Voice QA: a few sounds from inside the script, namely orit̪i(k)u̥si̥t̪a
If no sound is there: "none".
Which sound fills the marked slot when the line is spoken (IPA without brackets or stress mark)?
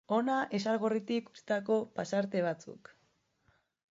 k